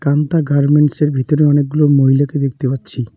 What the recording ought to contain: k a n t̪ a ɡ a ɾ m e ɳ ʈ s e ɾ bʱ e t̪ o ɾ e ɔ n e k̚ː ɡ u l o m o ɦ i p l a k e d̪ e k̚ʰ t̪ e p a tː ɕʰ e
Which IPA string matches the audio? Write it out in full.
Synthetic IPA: k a n t̪ a ɡ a ɾ m e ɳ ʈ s e ɾ bʱ i t̪ o ɾ e ɔ n e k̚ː ɡ u l o m o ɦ i l a k e d̪ e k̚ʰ t̪ e p a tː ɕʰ i